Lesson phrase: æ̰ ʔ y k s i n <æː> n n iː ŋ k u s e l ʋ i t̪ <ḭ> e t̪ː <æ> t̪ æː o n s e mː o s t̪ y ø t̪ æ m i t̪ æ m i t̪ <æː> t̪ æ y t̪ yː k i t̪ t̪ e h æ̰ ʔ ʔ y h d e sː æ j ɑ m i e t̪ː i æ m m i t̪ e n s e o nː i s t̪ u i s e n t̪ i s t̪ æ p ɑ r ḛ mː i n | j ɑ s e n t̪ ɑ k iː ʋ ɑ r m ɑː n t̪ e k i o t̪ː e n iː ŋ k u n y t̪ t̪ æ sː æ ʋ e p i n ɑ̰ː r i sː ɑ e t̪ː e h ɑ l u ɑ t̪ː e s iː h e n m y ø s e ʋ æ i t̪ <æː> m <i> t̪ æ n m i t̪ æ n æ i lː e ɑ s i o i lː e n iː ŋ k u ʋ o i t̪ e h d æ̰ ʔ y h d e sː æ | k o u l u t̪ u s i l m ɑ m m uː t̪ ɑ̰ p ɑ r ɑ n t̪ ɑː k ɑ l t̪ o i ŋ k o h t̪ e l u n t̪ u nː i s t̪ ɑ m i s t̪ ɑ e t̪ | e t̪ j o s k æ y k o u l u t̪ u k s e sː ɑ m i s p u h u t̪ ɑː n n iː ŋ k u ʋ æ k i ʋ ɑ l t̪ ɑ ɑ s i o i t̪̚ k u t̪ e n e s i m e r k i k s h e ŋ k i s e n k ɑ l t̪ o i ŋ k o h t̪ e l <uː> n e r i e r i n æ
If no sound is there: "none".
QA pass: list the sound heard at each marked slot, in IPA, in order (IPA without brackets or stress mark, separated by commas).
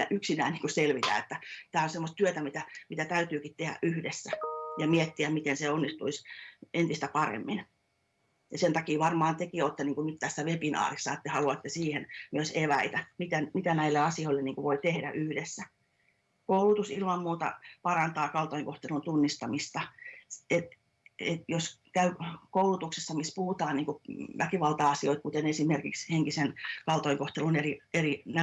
æː, æ̰, æ, æ, æ, i, u